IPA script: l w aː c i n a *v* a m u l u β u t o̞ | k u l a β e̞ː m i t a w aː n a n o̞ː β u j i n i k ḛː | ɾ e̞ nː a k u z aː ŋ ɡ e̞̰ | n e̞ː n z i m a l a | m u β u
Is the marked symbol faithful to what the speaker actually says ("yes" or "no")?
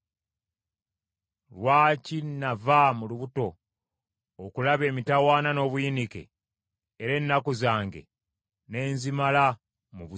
yes